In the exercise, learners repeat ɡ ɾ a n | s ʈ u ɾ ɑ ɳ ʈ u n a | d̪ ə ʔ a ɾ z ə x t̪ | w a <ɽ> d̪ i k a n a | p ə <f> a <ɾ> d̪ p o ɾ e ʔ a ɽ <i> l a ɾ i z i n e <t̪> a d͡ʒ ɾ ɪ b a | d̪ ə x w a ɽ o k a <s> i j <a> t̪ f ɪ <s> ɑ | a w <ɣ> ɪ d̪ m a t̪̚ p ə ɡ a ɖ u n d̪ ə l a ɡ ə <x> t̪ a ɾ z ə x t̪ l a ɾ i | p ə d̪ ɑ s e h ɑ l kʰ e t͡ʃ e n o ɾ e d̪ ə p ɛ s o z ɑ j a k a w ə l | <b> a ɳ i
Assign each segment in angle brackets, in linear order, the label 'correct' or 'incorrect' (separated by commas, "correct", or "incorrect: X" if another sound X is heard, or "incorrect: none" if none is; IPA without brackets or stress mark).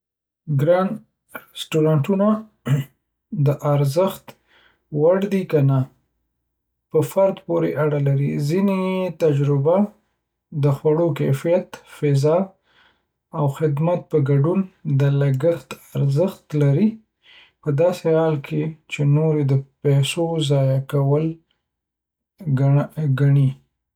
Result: correct, correct, correct, incorrect: a, correct, incorrect: f, correct, incorrect: z, incorrect: x, correct, incorrect: ɡ